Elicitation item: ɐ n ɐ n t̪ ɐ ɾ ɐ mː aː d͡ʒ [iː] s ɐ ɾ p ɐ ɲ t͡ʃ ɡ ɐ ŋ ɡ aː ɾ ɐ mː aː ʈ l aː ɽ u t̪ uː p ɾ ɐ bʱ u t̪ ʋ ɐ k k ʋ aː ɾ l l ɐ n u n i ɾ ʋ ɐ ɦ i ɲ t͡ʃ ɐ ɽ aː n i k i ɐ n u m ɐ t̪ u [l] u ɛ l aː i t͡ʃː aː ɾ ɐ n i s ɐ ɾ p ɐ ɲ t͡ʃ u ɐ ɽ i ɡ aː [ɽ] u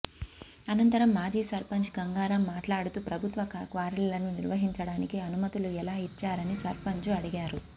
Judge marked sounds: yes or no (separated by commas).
yes, yes, no